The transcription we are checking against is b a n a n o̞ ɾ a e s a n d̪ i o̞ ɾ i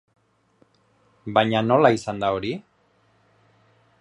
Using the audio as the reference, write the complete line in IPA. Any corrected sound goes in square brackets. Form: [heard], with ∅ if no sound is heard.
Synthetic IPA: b a [ɲ] a n o̞ [l] a [i] s a n d̪ [a] o̞ ɾ i

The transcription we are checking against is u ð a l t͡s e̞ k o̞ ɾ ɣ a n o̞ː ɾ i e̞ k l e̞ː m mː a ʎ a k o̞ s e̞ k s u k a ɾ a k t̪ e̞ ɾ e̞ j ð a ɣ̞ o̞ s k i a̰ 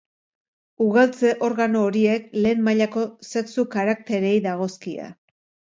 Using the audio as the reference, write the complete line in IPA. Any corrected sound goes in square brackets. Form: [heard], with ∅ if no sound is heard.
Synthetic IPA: u [ɣ] a l t͡s e̞ [ʔ] o̞ ɾ ɣ a n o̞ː ɾ i e̞ k l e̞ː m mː a ʎ a k o̞ s e̞ k s u k a ɾ a k t̪ e̞ ɾ e̞ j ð a ɣ̞ o̞ s k i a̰

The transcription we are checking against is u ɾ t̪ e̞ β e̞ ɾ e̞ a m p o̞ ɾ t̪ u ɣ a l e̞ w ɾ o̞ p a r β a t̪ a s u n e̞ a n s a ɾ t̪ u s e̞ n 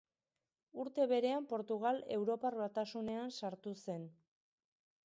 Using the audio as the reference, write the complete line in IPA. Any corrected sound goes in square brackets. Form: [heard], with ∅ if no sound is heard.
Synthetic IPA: u ɾ t̪ e̞ β e̞ ɾ e̞ a m p o̞ ɾ t̪ u ɣ a l e̞ w ɾ o̞ p a r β a t̪ a s u n e̞ a n s a ɾ t̪ u s e̞ n

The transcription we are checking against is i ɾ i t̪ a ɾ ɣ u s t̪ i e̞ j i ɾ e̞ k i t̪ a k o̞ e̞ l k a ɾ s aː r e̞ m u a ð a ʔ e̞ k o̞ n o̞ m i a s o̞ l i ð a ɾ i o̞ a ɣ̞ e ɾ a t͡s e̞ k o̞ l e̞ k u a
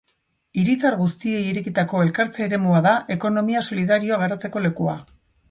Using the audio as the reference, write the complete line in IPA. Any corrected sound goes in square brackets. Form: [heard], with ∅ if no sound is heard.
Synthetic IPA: i ɾ i t̪ a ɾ ɣ u s t̪ i e̞ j i ɾ e̞ k i t̪ a k o̞ e̞ l k a ɾ [t͡s] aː [ɾ] e̞ m u a ð a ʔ e̞ k o̞ n o̞ m i a s o̞ l i ð a ɾ i o̞ a ɣ̞ e ɾ a t͡s e̞ k o̞ l e̞ k u a

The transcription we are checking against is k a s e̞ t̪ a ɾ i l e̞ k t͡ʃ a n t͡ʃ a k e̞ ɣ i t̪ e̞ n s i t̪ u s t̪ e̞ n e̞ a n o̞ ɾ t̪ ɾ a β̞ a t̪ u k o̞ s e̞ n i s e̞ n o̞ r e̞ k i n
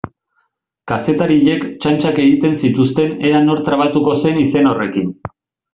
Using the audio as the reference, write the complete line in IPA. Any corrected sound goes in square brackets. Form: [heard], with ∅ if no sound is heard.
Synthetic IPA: k a s e̞ t̪ a ɾ i [ʎ] e̞ k t͡ʃ a n t͡ʃ a k e̞ ɣ i t̪ e̞ n s i t̪ u s t̪ e̞ n e̞ a n o̞ ɾ t̪ ɾ a β̞ a t̪ u k o̞ s e̞ n i s e̞ n o̞ r e̞ k i n

